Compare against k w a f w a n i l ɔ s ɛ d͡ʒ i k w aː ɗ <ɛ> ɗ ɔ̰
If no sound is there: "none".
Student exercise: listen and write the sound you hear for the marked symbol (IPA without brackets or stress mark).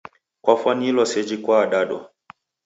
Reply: a